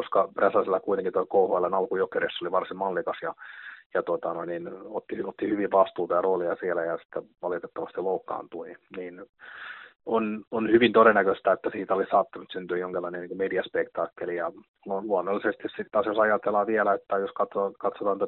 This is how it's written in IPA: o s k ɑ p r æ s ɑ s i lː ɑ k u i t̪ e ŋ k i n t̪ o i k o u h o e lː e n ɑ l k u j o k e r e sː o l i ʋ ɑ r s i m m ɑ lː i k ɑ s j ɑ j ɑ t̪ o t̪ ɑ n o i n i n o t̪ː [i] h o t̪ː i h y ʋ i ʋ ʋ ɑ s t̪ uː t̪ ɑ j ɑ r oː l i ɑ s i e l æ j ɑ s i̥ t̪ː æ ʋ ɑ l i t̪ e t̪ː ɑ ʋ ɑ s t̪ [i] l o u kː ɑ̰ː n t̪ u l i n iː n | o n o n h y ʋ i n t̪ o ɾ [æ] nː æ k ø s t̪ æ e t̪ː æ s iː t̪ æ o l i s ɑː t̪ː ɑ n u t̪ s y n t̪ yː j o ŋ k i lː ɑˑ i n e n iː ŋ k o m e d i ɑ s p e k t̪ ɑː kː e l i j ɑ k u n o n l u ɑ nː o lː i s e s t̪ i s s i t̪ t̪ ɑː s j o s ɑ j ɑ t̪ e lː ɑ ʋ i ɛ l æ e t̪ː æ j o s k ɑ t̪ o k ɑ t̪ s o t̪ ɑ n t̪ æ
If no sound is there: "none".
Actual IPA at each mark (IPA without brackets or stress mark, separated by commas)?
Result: i, i, e